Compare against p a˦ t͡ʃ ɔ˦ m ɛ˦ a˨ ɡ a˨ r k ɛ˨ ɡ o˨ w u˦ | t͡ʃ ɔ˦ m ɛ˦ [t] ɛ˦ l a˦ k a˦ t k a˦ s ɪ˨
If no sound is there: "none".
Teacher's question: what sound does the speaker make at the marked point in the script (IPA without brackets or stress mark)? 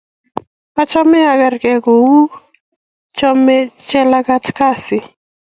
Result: t͡ʃ